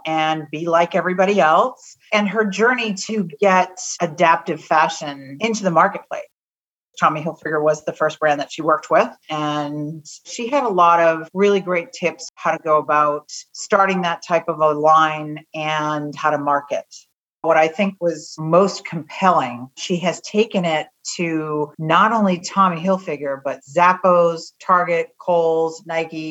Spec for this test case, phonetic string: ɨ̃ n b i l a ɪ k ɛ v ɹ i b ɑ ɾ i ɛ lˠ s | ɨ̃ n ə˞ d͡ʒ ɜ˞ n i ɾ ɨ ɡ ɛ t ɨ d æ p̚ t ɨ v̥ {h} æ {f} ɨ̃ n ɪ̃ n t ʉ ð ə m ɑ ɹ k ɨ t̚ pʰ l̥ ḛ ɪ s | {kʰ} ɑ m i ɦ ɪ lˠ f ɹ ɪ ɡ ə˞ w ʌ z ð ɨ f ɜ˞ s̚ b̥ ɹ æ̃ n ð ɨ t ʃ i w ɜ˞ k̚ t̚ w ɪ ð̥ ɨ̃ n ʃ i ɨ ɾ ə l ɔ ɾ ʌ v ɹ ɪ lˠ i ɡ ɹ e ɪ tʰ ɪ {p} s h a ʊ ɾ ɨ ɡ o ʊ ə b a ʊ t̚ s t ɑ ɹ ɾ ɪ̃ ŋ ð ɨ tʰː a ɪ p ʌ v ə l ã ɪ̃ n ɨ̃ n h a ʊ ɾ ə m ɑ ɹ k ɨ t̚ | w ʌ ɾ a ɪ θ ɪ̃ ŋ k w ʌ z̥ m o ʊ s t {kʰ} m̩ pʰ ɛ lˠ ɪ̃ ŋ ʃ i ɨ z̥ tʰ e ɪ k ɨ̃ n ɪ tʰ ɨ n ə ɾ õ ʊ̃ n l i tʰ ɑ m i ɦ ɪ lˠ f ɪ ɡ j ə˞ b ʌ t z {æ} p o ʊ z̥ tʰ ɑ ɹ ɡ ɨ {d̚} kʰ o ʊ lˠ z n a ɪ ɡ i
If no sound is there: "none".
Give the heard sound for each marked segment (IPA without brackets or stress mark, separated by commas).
f, ʃ, tʰ, p, kʰ, æ, t̚